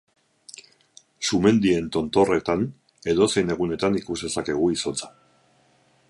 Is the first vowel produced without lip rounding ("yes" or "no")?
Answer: no